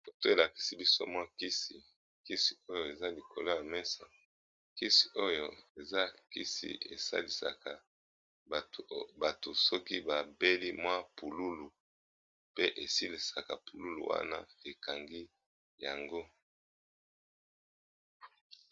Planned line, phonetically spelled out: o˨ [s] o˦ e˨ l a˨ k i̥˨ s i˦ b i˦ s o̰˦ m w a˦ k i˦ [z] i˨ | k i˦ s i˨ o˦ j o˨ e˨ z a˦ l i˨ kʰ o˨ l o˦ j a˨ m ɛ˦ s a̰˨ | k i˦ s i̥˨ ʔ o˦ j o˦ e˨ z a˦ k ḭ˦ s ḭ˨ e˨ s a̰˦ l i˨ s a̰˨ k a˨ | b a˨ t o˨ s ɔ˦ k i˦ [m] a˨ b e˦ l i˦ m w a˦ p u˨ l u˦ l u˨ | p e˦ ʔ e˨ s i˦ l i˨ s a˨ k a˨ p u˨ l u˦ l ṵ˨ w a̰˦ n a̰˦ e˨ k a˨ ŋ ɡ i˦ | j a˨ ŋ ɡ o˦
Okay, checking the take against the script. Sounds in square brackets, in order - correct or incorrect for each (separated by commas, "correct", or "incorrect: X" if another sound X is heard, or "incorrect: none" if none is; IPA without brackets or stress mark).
incorrect: t, incorrect: s, incorrect: b